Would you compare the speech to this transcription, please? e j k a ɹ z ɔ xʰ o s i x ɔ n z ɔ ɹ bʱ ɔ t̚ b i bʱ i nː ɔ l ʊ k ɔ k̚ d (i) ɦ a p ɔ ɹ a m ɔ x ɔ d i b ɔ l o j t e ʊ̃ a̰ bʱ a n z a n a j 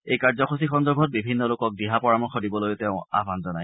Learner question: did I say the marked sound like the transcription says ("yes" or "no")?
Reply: yes